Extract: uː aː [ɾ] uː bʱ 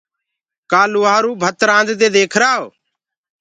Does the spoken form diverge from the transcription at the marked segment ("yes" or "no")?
no